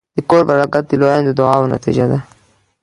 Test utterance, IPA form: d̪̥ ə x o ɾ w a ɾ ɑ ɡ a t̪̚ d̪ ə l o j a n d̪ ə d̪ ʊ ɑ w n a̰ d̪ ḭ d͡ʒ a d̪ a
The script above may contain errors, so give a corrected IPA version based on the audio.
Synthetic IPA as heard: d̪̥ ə k o ɾ b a ɾ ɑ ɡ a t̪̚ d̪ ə l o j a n d̪ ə d̪ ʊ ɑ w n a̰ t̪ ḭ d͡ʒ a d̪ a